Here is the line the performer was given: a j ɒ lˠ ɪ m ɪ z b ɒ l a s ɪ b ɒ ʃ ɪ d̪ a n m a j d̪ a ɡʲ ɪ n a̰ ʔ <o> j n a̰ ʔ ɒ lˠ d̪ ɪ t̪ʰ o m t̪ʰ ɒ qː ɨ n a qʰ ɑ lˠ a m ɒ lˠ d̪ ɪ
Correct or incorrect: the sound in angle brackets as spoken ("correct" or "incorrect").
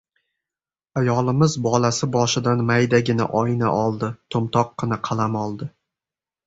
incorrect